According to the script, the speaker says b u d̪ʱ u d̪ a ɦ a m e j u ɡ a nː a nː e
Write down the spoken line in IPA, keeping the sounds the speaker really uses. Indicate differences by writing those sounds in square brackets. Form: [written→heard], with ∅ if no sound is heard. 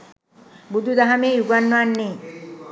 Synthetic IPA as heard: b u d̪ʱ u d̪ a ɦ a m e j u ɡ a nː a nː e